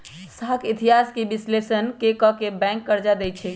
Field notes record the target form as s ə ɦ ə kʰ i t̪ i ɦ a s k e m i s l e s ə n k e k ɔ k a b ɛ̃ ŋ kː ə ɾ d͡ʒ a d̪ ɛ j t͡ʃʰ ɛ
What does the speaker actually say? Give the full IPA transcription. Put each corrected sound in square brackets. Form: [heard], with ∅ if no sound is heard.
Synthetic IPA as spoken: s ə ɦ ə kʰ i t̪ i ɦ a s k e [b] i s l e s ə n k e k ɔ k [e] b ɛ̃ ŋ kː ə ɾ d͡ʒ a d̪ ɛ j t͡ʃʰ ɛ

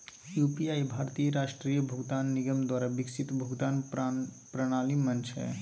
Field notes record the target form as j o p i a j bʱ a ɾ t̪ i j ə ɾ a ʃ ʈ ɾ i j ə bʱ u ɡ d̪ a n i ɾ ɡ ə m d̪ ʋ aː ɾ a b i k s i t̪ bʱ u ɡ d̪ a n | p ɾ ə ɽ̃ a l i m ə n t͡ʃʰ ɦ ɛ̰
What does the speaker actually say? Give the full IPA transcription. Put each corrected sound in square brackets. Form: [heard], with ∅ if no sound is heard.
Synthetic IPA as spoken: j [u] p i a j bʱ a ɾ t̪ i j ə ɾ a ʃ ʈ ɾ i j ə bʱ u ɡ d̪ a [nː] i [∅] ɡ ə m d̪ [w] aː ɾ a b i k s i t̪ bʱ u ɡ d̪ a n | p ɾ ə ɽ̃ a l i m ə n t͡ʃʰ ɦ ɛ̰

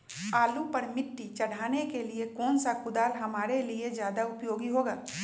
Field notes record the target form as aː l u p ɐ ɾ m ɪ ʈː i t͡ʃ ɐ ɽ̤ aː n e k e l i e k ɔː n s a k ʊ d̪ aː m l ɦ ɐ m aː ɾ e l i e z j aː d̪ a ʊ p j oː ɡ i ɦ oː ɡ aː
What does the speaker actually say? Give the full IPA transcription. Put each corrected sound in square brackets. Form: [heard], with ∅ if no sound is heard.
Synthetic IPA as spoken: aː l u p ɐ ɾ m ɪ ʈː i t͡ʃ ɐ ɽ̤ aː n e k e l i e k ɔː n s a k ʊ d̪ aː [∅] l ɦ ɐ m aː ɾ e l i e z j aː d̪ a ʊ p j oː ɡ i ɦ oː ɡ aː

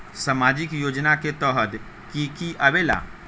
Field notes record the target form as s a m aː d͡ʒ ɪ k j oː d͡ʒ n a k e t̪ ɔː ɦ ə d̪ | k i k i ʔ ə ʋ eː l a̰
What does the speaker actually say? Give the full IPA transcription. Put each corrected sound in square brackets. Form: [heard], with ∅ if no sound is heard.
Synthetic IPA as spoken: s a m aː d͡ʒ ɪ k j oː d͡ʒ n a k e t̪ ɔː ɦ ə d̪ | k i k i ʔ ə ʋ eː l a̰

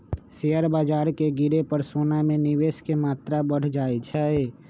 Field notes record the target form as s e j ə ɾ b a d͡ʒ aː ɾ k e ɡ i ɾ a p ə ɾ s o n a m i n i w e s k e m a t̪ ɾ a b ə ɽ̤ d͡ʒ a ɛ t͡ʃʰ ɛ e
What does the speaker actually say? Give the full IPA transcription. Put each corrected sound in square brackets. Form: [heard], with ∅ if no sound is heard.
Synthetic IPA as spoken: s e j ə ɾ b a d͡ʒ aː ɾ k e ɡ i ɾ [e] p ə ɾ s o n a m [e] n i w e s k e m a t̪ ɾ a b ə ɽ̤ d͡ʒ a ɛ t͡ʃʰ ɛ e

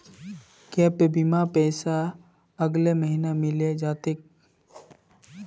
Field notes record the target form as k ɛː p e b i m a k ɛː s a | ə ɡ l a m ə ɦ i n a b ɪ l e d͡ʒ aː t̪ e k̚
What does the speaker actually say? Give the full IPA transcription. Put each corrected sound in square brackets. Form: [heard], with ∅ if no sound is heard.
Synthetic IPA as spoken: k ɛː p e b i m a [p] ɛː s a | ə ɡ l [e] m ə ɦ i n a [m] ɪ l e d͡ʒ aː t̪ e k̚

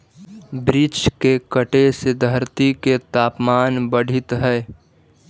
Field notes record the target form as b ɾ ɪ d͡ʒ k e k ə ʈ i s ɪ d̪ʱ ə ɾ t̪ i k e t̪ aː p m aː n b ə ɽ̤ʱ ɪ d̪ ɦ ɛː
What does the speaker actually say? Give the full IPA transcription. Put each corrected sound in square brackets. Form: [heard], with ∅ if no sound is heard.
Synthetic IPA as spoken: b ɾ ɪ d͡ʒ k e k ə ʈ [e] s ɪ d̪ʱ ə ɾ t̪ i k e t̪ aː p m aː n b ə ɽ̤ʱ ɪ [t̪] ɦ ɛː

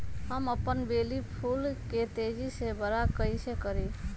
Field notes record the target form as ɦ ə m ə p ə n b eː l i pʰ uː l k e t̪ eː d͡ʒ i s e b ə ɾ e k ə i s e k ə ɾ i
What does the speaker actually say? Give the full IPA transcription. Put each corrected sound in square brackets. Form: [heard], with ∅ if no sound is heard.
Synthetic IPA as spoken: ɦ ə m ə p ə n b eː l i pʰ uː l k e t̪ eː d͡ʒ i s e b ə ɾ [a] k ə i s e k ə ɾ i

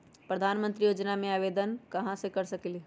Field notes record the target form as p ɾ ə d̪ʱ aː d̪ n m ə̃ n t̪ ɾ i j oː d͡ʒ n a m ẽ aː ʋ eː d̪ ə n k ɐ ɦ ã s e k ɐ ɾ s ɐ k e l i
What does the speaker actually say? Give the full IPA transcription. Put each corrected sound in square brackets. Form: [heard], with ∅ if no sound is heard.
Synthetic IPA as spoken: p ɾ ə d̪ʱ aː [∅] n m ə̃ n t̪ ɾ i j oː d͡ʒ n a m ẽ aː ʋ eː d̪ ə n k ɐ ɦ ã s e k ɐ ɾ s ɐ k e l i

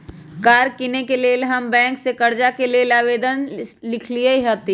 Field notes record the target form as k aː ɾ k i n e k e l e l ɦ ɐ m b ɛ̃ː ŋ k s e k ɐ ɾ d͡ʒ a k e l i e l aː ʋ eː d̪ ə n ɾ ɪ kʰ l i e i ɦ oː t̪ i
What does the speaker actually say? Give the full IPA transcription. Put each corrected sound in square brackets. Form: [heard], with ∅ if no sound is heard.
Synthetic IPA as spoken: k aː ɾ k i n e k e l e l ɦ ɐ m b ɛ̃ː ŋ k s e k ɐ ɾ d͡ʒ a k e l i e l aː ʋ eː d̪ ə n [l] ɪ kʰ l i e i ɦ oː t̪ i

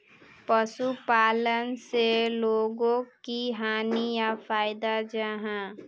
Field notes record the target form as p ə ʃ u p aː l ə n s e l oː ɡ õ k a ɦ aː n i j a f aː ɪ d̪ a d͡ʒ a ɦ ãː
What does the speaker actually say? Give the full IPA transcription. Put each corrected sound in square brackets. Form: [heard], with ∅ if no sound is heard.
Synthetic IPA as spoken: p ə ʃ u p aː l ə n s e l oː ɡ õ k [i] ɦ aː n i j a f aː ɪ d̪ a d͡ʒ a ɦ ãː

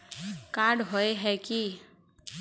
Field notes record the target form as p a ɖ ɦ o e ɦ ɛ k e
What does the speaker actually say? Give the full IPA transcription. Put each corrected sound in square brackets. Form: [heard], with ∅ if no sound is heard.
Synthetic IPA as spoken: [k] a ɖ ɦ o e ɦ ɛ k [i]

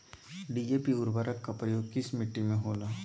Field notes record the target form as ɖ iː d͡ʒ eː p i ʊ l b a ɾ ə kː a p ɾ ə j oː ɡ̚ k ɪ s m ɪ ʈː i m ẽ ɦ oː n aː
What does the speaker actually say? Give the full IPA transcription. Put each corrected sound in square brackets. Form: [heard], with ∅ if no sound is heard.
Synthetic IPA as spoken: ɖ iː d͡ʒ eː p i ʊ [ɾ] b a ɾ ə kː a p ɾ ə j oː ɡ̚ k ɪ s m ɪ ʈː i m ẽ ɦ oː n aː

